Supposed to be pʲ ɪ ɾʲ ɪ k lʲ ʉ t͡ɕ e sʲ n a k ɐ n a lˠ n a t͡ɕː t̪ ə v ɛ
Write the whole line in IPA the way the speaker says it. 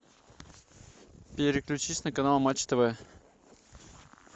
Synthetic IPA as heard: pʲ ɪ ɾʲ ɪ k lʲ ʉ t͡ɕ i sʲ n ə k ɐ n a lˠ m a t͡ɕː t̪ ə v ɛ